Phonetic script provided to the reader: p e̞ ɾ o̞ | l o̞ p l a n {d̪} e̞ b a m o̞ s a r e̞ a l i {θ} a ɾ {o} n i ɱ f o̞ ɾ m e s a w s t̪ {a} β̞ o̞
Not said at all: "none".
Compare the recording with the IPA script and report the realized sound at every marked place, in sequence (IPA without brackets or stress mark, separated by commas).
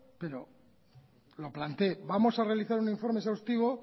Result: t̪, θ, u, i